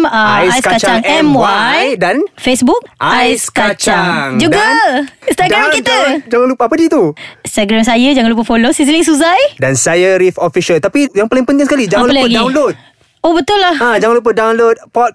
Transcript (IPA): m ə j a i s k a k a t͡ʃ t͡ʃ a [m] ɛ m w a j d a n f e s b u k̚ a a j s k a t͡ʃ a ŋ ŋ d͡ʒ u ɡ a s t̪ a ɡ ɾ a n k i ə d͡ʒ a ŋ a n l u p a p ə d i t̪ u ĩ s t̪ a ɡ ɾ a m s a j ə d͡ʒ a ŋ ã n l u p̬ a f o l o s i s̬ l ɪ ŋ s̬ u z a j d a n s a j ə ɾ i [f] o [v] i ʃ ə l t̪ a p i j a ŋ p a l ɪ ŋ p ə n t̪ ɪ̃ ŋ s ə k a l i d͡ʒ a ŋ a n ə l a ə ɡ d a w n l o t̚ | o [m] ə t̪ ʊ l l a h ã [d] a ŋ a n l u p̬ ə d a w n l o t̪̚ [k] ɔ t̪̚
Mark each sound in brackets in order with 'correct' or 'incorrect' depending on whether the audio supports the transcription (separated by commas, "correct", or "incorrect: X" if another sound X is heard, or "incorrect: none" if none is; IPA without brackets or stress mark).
incorrect: ŋ, correct, incorrect: f, incorrect: b, incorrect: d͡ʒ, incorrect: p